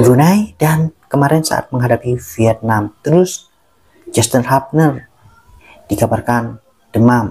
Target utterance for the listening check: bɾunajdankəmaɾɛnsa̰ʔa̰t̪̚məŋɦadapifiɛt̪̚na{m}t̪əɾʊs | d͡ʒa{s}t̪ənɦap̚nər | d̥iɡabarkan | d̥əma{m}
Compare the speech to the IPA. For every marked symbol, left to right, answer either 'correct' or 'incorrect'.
correct, correct, correct

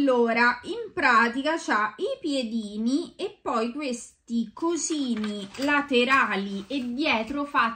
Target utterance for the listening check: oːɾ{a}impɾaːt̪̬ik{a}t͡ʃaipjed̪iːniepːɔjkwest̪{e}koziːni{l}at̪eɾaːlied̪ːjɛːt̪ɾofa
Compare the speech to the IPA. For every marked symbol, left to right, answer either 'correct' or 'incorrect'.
correct, correct, incorrect, correct

